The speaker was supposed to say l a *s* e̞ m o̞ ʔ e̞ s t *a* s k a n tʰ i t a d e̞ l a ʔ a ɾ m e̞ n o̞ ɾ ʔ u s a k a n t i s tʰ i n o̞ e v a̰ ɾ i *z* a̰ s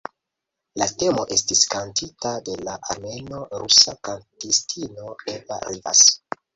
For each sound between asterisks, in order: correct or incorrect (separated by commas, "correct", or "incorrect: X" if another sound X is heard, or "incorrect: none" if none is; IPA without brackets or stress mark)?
incorrect: t, incorrect: i, incorrect: v